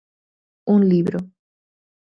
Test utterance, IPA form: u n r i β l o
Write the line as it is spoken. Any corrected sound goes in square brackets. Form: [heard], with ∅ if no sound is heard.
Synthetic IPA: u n [l] i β [ɾ] o